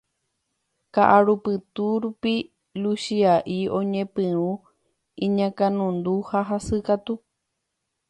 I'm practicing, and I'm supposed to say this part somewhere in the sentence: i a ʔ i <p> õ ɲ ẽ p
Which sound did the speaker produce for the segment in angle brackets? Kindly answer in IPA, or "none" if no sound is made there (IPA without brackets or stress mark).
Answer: none